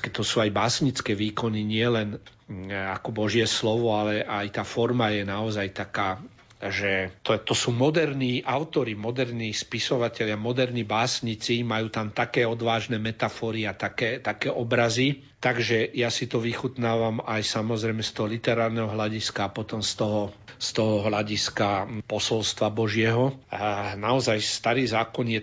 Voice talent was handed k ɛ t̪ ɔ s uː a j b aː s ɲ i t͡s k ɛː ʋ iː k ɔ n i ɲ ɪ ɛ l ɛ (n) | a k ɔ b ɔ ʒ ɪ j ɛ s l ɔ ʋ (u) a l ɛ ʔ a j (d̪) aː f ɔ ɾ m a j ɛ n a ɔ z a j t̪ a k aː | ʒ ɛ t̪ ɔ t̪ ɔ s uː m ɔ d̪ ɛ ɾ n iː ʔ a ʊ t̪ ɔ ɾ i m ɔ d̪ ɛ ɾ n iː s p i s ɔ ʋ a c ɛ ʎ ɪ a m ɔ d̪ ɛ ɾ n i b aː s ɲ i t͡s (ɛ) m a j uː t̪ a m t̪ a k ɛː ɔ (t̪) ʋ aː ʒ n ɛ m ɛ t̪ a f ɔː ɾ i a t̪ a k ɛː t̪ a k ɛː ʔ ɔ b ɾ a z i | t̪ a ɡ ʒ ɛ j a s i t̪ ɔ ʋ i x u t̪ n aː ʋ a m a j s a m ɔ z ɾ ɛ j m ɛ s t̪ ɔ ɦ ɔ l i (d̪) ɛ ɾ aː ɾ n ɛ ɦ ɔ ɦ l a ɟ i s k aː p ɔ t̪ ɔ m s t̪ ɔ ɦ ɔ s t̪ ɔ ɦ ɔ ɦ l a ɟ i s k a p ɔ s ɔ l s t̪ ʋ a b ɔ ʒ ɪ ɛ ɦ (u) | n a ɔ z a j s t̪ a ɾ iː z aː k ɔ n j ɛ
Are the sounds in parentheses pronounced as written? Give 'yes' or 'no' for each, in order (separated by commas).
yes, no, no, no, no, no, no